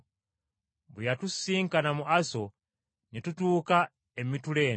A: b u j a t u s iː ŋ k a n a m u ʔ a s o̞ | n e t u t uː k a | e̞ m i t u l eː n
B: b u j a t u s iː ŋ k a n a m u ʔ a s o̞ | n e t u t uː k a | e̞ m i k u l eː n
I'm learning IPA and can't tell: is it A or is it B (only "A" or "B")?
A